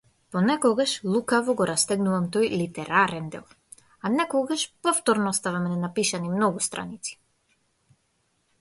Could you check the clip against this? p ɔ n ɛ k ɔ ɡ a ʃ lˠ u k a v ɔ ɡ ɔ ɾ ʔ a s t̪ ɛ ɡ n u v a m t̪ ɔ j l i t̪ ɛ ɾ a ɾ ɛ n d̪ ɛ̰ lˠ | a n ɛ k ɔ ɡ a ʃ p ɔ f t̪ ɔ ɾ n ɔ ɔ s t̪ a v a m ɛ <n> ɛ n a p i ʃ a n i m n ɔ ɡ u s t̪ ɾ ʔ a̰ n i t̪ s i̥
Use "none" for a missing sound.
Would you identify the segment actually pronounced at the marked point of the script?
n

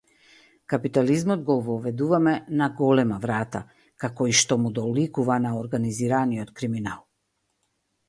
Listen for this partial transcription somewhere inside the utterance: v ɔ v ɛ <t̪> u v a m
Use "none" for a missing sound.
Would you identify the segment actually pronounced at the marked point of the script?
d̪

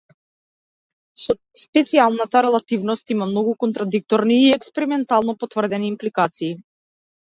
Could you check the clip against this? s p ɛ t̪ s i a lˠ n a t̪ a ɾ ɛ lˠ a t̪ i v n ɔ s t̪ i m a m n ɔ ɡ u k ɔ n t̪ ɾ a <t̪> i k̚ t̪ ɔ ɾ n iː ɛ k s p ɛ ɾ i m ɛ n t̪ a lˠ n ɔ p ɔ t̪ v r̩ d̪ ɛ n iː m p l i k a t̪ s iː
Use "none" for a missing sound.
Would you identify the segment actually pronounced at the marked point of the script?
d̪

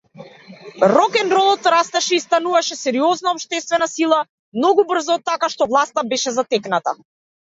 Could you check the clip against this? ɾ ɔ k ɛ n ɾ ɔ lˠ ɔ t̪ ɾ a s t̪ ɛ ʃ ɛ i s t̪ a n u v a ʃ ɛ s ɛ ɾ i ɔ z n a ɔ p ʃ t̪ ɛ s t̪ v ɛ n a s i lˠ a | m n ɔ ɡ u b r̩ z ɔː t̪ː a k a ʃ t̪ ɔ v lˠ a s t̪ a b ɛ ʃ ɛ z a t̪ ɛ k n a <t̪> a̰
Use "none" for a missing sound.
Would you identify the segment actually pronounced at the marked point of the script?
t̪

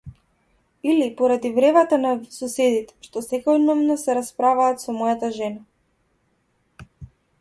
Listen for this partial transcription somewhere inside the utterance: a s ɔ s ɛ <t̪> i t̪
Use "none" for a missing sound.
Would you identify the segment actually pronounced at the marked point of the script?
d̪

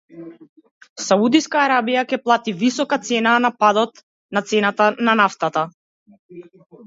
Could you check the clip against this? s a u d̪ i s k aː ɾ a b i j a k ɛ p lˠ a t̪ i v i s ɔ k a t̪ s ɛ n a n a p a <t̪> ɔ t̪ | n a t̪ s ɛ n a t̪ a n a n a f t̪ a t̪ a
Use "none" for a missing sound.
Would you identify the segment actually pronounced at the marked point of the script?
d̪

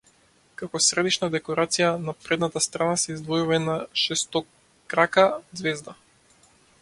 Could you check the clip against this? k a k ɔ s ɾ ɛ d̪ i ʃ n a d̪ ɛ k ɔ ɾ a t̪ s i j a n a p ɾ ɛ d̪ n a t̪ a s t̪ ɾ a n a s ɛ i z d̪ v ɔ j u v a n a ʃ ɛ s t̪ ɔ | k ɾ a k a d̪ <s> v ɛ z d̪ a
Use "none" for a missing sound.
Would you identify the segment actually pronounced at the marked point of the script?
z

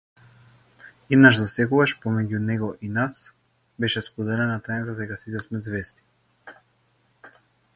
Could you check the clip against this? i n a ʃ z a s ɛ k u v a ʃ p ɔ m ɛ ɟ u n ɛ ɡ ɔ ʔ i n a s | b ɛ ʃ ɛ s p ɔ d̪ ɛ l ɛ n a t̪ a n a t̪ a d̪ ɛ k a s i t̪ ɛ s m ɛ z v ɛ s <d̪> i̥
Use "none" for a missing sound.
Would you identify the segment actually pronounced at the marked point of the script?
t̪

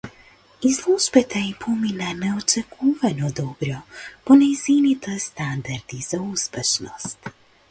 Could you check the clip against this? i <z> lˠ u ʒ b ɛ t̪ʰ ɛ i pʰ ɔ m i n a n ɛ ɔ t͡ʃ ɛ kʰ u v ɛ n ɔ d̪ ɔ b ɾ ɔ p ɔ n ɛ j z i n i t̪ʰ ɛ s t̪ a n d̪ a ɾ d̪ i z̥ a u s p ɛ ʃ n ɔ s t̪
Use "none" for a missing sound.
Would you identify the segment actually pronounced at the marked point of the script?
z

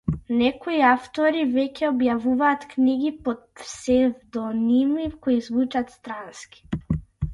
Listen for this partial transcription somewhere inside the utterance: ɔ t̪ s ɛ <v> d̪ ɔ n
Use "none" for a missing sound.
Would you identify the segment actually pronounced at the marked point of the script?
v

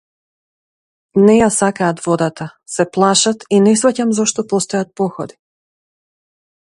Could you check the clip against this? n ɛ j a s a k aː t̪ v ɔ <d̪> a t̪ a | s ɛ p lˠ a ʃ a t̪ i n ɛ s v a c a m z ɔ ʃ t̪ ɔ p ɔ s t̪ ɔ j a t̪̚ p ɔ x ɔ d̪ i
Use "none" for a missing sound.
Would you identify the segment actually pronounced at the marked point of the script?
d̪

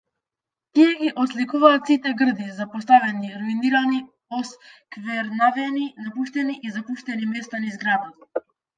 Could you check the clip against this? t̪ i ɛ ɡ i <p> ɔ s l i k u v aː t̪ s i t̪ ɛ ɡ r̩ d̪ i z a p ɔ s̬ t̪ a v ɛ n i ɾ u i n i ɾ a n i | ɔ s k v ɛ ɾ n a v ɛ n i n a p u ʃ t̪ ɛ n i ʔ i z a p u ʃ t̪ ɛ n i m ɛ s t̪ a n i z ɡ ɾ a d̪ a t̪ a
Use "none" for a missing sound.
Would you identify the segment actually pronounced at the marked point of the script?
ʔ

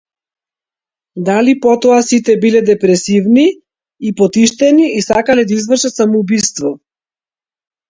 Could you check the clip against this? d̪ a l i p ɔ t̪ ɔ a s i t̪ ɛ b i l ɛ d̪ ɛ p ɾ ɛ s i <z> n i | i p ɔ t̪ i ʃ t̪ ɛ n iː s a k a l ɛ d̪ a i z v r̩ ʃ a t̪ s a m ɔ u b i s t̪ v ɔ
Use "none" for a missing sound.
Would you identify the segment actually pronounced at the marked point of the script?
v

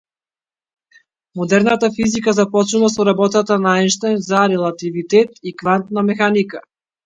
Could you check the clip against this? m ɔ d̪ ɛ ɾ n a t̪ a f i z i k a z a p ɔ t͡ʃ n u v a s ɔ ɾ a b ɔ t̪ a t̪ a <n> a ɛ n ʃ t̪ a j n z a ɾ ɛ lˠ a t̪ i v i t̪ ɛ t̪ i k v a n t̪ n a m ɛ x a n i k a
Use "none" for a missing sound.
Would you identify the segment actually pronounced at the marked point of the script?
n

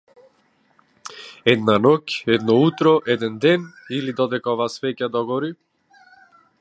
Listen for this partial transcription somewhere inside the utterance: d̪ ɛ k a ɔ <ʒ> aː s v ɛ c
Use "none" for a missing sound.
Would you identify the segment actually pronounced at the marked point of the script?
v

